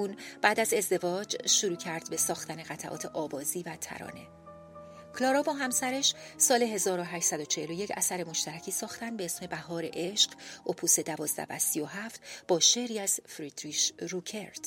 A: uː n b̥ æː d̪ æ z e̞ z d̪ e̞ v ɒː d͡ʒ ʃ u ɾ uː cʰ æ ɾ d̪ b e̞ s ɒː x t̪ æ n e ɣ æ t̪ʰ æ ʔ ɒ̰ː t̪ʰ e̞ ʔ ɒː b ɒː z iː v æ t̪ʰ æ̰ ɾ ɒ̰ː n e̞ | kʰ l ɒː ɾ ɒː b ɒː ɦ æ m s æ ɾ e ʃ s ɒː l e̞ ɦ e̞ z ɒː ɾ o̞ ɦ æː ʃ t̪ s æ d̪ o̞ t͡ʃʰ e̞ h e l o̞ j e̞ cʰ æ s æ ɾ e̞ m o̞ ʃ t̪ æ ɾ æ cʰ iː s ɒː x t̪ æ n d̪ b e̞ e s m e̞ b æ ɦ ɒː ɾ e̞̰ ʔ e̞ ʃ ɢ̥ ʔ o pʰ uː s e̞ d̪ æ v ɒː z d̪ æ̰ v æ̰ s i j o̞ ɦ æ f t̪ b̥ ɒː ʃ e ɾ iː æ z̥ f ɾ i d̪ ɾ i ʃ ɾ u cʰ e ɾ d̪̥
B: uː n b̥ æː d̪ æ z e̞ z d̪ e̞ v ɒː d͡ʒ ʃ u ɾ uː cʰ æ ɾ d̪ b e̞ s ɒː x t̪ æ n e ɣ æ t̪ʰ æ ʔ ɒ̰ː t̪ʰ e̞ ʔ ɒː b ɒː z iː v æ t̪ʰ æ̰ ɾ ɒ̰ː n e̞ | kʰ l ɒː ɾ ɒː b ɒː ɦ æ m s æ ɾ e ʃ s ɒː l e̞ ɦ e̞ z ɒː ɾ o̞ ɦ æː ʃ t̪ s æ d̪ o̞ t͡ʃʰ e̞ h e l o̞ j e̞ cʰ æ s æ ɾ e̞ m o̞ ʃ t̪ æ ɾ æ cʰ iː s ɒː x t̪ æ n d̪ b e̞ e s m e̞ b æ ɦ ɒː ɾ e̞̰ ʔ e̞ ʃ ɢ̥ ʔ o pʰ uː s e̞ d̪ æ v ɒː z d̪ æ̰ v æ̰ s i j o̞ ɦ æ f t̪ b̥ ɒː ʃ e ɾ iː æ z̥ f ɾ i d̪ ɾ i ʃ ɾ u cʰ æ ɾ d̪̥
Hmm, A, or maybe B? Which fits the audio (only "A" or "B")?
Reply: A